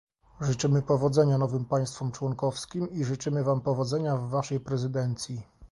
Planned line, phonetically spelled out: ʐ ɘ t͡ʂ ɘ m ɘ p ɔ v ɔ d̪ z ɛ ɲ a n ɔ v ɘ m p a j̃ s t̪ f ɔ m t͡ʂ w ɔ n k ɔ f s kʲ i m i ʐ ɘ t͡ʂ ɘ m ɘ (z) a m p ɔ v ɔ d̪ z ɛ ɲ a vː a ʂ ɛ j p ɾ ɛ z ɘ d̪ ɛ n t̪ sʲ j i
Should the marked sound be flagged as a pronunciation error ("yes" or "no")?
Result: yes